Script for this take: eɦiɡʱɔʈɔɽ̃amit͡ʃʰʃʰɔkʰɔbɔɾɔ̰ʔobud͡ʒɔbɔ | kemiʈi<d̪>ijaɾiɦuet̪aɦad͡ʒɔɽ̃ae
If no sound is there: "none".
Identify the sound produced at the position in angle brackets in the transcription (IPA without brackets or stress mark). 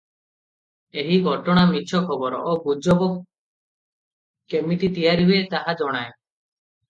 t̪